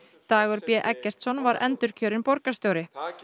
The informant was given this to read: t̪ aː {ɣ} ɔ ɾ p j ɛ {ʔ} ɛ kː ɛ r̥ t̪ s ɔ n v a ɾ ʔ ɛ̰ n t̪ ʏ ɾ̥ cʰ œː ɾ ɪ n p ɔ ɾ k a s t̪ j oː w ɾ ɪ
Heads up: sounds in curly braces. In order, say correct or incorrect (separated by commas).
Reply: correct, correct